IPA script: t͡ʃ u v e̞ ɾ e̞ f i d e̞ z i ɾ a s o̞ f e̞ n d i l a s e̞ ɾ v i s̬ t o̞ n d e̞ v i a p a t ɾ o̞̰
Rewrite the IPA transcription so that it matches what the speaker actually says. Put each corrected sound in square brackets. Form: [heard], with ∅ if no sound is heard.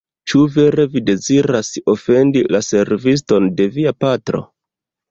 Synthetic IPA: t͡ʃ u v e̞ ɾ e̞ [v] i d e̞ z i ɾ a s o̞ f e̞ n d i l a s e̞ ɾ v i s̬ t o̞ n d e̞ v i a p a t ɾ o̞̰